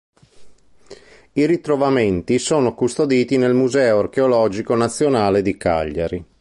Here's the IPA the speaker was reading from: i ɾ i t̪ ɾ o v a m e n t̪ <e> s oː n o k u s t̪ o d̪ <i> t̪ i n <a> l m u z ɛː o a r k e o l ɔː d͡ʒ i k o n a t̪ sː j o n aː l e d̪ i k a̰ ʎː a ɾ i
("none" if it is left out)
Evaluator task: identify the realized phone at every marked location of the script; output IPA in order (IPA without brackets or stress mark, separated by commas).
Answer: i, iː, e